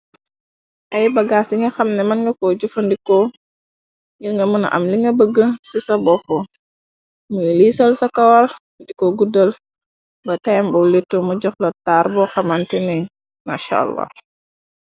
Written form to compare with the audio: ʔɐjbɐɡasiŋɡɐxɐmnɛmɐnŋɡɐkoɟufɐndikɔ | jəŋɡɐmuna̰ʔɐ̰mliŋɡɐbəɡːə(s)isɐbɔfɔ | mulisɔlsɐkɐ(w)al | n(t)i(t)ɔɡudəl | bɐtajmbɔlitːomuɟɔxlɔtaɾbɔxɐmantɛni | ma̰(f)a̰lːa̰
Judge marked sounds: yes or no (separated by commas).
yes, yes, no, no, no